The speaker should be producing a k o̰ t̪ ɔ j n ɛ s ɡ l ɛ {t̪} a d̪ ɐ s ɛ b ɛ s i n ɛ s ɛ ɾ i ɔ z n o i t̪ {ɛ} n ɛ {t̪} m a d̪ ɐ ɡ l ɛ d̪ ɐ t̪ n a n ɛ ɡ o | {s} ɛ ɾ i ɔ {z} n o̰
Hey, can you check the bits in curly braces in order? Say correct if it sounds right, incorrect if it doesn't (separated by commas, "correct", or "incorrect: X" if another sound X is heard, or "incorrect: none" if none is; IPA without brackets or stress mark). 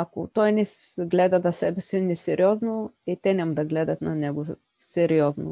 incorrect: d̪, correct, incorrect: none, correct, correct